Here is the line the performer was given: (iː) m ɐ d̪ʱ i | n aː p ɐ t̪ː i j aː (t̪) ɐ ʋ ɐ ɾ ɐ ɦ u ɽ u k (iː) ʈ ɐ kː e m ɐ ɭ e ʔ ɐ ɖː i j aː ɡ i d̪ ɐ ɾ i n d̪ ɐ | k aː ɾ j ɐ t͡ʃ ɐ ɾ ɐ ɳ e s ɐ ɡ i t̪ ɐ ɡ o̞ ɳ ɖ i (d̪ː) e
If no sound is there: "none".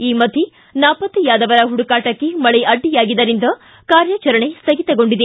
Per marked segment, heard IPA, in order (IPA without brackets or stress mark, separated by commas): iː, d̪, aː, d̪